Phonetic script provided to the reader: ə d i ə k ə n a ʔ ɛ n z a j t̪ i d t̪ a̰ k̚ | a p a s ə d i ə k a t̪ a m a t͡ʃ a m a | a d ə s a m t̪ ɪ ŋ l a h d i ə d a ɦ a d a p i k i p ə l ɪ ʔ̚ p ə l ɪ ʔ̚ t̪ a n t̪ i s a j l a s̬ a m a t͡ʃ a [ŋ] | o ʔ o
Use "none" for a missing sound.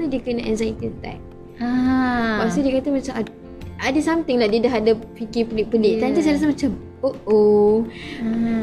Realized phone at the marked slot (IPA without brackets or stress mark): m